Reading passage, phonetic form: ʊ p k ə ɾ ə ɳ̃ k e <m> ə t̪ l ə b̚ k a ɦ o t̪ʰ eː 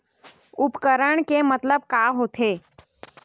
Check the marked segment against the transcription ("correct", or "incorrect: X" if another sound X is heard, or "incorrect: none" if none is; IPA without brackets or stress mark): correct